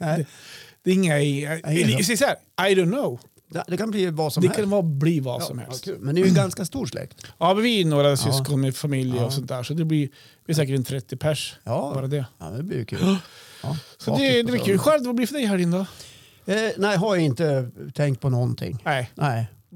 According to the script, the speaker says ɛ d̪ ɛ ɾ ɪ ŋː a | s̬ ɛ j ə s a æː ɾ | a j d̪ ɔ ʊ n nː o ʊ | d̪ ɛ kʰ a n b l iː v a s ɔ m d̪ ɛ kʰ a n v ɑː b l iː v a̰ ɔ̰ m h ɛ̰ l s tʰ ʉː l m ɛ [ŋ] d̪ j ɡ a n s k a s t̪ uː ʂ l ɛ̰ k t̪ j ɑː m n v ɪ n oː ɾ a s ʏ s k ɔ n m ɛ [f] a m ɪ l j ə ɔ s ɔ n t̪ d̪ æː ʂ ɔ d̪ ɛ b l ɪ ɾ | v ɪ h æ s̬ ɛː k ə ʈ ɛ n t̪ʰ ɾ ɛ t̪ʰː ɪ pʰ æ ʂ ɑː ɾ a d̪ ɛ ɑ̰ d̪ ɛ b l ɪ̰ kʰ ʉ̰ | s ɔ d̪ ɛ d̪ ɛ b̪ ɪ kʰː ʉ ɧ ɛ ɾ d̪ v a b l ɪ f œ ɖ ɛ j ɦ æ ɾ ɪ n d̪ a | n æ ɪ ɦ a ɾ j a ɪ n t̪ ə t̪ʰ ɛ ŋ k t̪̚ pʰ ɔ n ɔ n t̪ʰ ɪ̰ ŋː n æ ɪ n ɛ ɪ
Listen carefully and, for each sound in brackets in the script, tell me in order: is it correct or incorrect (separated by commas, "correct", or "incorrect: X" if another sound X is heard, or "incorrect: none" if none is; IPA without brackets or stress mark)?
incorrect: n, correct